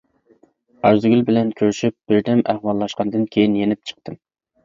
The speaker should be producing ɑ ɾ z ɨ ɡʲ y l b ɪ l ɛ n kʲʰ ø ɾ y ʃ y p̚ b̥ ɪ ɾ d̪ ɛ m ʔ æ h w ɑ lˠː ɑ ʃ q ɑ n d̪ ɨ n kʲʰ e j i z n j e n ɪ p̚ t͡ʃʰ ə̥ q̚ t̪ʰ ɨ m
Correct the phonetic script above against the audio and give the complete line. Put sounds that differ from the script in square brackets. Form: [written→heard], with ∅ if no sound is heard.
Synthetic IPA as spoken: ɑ ɾ z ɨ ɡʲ y l b ɪ l ɛ n kʲʰ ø ɾ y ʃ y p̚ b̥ ɪ ɾ d̪ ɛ m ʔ æ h w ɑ lˠː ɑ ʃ q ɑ n d̪ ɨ n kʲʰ e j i [z→∅] n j e n ɪ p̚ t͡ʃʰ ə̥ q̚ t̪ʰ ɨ m